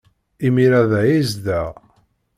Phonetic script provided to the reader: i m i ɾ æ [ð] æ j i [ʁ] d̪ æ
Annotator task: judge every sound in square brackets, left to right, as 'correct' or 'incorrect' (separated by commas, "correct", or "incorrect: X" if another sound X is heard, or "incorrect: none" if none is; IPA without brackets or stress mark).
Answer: correct, incorrect: z